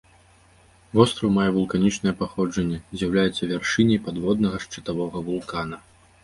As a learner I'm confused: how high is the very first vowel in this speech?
mid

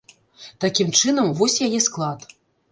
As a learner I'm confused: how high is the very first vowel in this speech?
low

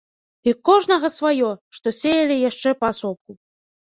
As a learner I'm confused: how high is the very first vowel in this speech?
high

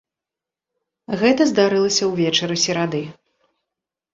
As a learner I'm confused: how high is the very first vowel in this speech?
mid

